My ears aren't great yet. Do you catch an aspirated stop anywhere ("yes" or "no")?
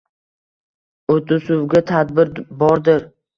yes